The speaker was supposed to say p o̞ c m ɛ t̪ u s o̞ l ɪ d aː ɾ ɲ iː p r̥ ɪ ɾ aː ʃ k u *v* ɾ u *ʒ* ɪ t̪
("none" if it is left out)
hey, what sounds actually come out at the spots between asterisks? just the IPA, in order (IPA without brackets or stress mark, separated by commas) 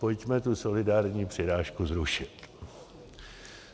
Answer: z, ʃ